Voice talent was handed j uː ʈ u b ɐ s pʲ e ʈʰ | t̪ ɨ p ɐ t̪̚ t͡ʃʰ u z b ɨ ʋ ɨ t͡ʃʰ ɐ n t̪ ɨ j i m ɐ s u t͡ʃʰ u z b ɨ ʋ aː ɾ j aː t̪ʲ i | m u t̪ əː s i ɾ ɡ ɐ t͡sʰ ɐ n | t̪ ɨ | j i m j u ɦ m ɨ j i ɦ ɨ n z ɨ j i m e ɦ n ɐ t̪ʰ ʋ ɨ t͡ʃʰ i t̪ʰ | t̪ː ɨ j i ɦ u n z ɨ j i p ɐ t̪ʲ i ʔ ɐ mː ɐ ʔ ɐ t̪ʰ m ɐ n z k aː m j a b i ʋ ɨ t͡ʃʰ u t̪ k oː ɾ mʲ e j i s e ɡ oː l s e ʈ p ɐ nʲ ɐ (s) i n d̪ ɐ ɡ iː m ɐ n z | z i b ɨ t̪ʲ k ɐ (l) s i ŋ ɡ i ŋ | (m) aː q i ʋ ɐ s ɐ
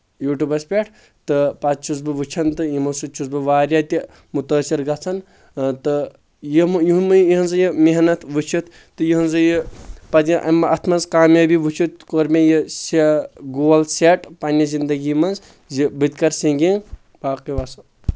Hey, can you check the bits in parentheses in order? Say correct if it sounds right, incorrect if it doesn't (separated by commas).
incorrect, incorrect, incorrect